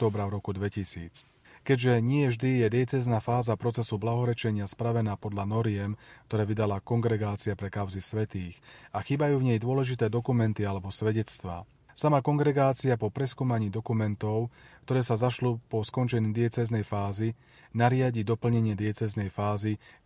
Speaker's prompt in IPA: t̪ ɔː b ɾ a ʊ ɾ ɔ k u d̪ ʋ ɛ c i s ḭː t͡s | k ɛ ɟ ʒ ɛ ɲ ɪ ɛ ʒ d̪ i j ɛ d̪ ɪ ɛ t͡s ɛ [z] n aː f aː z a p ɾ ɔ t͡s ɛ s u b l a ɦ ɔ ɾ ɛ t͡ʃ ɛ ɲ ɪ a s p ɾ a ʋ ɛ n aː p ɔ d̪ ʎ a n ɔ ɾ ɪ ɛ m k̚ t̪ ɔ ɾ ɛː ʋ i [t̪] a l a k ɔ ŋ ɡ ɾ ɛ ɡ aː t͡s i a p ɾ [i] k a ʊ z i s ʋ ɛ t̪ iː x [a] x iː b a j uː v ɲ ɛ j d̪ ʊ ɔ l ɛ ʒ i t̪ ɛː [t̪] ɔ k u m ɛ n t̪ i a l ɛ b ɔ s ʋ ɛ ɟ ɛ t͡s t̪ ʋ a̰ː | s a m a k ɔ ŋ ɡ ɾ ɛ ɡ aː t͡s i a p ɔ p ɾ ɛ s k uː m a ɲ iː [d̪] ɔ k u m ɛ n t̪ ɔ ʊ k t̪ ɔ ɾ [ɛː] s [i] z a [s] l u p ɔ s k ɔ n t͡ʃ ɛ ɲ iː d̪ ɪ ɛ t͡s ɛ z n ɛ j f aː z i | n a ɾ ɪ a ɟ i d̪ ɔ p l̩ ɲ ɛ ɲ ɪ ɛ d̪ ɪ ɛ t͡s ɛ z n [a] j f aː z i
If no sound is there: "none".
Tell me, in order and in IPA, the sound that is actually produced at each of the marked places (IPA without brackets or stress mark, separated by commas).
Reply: z, d̪, ɛ, a, d̪, d̪, ɛː, a, ʃ, ɛ